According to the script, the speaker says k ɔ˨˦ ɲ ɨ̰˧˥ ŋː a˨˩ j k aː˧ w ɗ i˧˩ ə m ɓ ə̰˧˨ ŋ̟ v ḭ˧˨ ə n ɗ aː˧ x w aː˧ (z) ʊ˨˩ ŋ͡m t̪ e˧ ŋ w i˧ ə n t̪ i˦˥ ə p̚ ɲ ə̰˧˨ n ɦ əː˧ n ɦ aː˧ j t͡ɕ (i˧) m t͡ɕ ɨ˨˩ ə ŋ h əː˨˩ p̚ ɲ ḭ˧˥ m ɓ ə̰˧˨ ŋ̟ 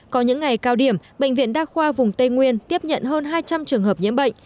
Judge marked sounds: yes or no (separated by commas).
no, no